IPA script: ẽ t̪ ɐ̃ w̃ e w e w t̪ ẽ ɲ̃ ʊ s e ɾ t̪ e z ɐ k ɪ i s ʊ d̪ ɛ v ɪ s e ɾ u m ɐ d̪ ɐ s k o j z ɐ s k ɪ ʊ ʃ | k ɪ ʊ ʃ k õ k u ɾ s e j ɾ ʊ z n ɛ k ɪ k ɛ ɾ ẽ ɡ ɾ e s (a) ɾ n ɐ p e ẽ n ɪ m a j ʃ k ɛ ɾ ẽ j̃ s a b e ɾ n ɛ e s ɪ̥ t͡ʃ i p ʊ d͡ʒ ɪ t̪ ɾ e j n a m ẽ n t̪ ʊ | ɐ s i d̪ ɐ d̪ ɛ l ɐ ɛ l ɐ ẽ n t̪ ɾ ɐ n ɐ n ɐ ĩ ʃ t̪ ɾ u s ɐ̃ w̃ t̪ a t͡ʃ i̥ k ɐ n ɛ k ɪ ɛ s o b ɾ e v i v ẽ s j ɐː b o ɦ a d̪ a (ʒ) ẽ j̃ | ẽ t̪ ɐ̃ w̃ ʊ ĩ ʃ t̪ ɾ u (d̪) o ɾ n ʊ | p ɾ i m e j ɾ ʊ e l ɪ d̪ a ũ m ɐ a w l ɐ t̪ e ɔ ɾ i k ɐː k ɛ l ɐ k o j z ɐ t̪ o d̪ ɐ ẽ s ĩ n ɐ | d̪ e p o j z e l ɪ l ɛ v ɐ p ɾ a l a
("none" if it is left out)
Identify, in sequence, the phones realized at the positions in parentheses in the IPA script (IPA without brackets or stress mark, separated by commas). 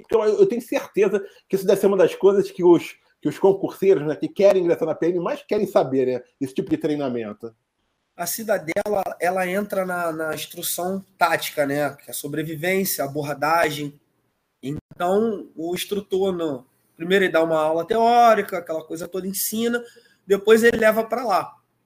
a, ʒ, t̪